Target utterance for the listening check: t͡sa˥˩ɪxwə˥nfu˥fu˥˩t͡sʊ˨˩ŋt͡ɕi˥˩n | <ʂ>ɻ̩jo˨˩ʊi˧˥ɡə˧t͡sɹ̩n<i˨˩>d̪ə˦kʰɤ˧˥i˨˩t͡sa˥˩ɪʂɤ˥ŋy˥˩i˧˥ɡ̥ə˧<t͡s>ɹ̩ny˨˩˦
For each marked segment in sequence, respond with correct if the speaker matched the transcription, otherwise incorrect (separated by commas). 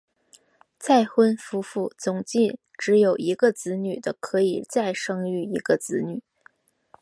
incorrect, incorrect, correct